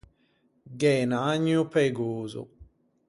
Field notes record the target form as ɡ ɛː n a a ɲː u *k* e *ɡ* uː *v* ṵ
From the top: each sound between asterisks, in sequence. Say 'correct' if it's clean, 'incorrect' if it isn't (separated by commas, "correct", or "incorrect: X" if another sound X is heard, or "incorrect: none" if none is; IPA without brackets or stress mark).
incorrect: p, correct, incorrect: z